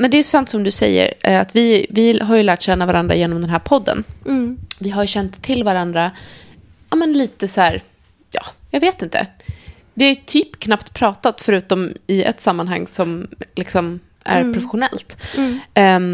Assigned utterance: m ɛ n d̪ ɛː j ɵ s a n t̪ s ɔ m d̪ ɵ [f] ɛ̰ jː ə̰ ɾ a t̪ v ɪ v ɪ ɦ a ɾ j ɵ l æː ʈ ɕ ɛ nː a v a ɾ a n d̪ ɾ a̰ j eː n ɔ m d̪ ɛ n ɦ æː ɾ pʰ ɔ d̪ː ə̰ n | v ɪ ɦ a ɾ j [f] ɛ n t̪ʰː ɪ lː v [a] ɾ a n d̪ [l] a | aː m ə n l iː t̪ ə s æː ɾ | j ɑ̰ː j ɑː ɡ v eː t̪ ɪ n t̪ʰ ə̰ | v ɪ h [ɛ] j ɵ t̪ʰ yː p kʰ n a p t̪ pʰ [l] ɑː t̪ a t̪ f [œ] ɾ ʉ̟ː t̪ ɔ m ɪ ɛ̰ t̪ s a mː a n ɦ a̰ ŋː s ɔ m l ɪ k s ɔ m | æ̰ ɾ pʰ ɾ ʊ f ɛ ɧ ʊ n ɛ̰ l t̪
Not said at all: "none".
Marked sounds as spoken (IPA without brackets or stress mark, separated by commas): s, ɕ, a, ɾ, a, ɾ, œ